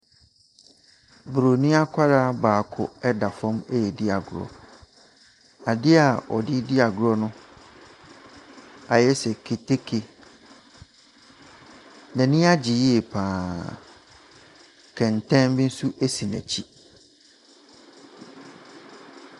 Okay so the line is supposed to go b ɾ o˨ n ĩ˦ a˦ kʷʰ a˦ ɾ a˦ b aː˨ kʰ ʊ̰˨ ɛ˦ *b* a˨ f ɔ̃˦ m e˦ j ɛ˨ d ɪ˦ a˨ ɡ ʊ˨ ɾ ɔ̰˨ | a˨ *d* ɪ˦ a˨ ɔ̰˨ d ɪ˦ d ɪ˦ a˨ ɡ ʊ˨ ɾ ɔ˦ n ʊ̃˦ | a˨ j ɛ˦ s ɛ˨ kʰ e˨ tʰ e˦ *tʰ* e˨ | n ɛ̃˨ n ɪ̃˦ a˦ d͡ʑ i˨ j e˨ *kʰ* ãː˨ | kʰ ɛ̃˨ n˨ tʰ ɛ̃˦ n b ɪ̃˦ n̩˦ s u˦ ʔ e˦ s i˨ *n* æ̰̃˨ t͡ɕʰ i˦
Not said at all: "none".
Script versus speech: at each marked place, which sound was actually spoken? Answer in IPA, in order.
d, d, kʰ, pʰ, n

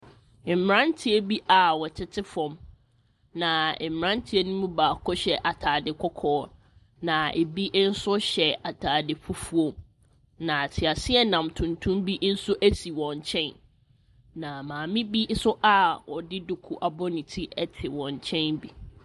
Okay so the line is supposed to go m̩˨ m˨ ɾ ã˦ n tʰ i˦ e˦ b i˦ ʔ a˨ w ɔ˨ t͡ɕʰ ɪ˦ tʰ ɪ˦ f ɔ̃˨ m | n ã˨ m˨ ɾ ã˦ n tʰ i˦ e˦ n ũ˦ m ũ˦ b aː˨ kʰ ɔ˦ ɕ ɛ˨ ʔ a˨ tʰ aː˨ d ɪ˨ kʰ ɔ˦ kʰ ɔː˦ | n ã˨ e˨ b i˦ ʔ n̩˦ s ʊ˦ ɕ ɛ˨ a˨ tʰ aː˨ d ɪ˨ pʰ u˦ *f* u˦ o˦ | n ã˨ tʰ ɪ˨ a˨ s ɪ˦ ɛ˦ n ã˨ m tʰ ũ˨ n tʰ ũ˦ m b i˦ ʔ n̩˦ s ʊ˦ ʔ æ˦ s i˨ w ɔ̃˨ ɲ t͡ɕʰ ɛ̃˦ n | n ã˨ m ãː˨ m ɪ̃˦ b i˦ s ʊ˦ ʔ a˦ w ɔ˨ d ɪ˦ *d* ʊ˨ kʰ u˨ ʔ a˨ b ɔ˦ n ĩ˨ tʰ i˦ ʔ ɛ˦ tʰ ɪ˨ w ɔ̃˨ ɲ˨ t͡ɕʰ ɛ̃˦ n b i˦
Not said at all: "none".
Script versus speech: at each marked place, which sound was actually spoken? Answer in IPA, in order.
f, d

